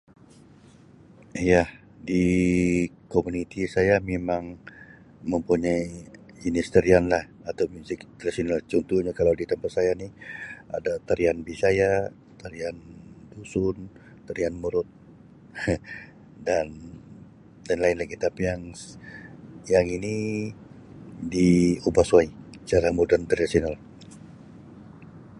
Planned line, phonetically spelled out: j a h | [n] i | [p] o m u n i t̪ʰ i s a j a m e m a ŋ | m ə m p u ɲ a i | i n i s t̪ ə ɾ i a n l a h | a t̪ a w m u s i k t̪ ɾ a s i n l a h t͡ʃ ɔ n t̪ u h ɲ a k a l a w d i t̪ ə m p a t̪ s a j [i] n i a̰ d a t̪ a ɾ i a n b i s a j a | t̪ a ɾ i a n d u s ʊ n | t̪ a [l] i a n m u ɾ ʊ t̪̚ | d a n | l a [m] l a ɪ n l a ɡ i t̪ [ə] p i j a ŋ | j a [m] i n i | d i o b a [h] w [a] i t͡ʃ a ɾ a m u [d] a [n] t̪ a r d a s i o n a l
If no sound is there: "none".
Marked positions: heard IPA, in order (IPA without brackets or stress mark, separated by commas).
d, k, a, ɾ, n, a, ŋ, s, a, d, n